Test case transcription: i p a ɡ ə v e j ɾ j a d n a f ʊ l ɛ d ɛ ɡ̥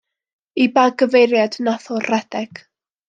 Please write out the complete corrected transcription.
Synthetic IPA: i b a ɡ ə v e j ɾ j a d n a θ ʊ r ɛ d ɛ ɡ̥